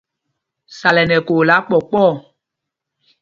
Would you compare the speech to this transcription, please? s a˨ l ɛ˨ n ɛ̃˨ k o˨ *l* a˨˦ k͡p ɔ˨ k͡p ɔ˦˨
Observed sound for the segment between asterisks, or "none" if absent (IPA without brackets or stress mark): l